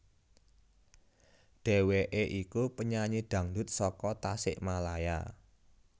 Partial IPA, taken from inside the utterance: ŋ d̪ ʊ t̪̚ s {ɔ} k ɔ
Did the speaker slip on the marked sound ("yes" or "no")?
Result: no